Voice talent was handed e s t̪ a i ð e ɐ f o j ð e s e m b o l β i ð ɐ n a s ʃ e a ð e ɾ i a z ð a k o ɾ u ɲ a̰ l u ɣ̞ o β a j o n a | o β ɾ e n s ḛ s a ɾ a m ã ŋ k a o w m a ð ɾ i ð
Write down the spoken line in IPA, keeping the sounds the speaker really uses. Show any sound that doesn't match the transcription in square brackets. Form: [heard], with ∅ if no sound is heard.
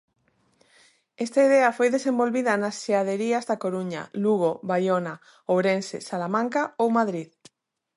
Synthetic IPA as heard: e s t̪ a i ð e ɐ f o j ð e s e m b o l β i ð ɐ n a s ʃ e a ð e ɾ i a z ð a k o ɾ u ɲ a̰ l u ɣ̞ o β a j o n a | o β ɾ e n s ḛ s a [l] a m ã ŋ k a o w m a ð ɾ i ð